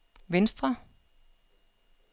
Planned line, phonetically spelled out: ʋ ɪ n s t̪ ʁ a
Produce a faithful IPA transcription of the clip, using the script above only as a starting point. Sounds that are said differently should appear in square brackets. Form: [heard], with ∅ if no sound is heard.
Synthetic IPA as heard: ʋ ɪ n s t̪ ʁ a